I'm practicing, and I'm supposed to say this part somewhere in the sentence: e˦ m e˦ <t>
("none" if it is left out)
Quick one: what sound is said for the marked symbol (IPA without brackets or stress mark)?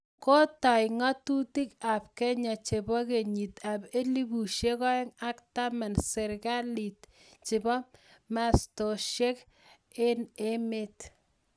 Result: t